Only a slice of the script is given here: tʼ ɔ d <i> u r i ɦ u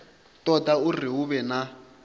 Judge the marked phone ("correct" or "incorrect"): incorrect